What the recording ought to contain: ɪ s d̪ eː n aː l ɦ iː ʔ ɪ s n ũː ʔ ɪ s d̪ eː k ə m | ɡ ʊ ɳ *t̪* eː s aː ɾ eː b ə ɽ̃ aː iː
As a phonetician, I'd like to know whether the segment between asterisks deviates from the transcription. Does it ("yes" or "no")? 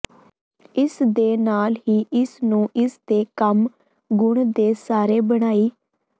yes